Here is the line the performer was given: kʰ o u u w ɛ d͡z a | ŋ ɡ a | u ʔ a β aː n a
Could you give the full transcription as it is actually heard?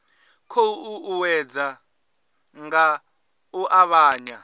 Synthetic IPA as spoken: kʰ o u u w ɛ d͡z a | ŋ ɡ a | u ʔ a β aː ɲ a